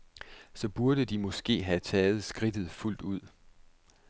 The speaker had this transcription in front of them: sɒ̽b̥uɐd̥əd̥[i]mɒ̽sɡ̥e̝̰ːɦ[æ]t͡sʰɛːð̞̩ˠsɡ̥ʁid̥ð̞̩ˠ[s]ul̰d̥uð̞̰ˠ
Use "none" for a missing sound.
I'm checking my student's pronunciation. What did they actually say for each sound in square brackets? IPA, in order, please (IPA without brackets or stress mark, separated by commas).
i, æ, f